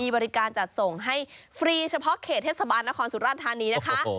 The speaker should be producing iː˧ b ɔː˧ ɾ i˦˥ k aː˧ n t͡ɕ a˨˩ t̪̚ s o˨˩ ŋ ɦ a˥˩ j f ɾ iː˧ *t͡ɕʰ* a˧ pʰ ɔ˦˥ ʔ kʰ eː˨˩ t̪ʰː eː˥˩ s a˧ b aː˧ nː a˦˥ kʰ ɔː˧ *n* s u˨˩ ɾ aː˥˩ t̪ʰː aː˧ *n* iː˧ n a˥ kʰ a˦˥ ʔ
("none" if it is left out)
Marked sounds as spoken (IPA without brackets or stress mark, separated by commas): t͡ɕʰ, n, n